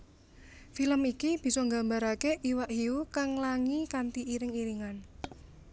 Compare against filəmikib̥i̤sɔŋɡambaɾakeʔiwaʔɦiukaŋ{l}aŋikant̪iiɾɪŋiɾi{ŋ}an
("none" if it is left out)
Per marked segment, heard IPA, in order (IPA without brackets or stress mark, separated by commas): l, ŋ